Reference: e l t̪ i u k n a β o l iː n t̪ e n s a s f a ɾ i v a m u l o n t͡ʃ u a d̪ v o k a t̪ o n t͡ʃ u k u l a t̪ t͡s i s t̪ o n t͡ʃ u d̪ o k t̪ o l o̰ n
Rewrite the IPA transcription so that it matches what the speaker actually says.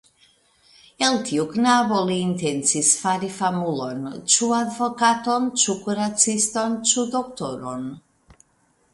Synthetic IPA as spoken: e l t̪ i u k n a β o l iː n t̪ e n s i s f a ɾ i f a m u l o n t͡ʃ u a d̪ v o k a t̪ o n t͡ʃ u k u ɾ a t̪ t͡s i s t̪ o n t͡ʃ u d̪ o k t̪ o ɾ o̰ n